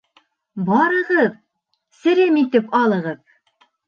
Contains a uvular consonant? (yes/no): yes